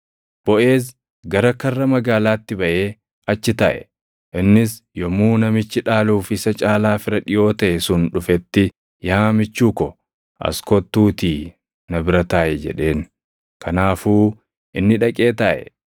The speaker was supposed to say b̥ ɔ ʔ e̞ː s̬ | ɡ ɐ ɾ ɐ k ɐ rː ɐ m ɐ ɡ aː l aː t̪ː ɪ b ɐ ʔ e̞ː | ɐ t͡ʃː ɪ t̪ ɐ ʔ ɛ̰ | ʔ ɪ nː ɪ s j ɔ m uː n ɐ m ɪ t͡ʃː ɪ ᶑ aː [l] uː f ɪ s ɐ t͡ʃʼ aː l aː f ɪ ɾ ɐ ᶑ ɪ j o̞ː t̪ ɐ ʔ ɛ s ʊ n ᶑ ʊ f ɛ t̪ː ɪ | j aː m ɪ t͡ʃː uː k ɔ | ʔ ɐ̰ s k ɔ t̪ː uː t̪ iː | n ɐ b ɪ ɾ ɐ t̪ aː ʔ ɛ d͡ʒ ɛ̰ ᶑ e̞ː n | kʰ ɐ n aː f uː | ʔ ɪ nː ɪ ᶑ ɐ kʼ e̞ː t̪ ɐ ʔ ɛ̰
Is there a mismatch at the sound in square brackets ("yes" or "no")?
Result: no